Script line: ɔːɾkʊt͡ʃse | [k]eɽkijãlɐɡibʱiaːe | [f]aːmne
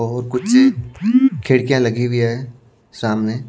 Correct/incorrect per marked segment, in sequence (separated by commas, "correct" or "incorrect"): incorrect, incorrect